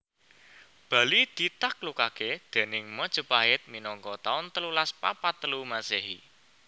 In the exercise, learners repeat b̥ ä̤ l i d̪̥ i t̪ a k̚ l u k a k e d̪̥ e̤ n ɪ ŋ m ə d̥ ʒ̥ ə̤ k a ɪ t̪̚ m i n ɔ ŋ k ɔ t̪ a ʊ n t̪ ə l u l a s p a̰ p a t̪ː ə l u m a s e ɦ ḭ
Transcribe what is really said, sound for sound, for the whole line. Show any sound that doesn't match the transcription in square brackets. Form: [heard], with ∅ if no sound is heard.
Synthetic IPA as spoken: b̥ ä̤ l i d̪̥ i t̪ a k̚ l u k a k e d̪̥ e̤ n ɪ ŋ m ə d̥ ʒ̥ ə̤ [p] a ɪ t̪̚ m i n ɔ ŋ k ɔ t̪ a ʊ n t̪ ə l u l a s p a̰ p a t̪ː ə l u m a s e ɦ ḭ